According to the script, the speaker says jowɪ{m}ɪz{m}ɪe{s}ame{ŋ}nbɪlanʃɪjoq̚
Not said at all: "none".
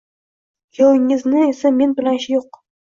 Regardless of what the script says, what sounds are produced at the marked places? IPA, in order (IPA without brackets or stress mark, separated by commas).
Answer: ŋ, n, s, none